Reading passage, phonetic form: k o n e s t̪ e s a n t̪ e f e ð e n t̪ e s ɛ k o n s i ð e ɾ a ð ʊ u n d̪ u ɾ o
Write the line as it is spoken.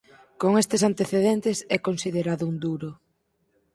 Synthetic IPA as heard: k o ŋ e s t̪ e s a n t̪ e θ e ð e n t̪ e s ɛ k o n s i ð e ɾ a ð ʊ u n d̪ u ɾ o